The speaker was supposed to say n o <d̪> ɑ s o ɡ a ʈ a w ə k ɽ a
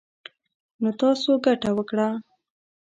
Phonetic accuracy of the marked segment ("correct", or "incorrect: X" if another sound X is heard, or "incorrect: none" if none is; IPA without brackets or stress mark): incorrect: t̪